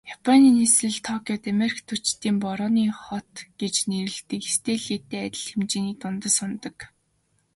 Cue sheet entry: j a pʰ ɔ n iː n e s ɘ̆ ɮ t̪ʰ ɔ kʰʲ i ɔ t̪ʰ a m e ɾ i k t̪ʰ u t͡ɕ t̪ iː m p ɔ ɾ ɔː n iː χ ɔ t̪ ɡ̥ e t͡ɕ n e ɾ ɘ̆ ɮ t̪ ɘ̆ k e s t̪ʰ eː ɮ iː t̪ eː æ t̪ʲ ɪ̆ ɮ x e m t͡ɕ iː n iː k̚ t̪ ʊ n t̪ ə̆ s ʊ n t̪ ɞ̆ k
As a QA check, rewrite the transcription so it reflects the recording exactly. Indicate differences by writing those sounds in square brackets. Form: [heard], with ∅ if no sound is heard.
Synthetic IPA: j a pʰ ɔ n iː n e s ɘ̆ ɮ t̪ʰ ɔ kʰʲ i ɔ [t̪] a m e ɾ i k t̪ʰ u t͡ɕ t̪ iː m p ɔ ɾ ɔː n iː χ ɔ t̪ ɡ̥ e t͡ɕ n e ɾ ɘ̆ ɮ t̪ ɘ̆ k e s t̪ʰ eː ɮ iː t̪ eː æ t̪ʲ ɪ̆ ɮ x e m t͡ɕ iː n iː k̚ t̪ ʊ n t̪ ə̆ s ʊ n t̪ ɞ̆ k